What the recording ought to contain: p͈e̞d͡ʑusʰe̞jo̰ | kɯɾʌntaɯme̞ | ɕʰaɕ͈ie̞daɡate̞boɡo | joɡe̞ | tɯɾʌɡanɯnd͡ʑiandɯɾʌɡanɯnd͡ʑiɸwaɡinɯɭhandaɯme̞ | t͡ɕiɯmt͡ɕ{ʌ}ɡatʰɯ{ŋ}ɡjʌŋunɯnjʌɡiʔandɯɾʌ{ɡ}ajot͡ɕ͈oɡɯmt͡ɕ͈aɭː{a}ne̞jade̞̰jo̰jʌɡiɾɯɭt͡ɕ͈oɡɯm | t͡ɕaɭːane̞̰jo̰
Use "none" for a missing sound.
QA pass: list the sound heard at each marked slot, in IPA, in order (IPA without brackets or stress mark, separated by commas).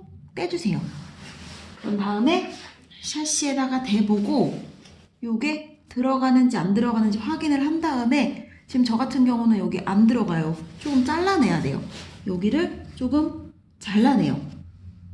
ʌ, n, ɡ, a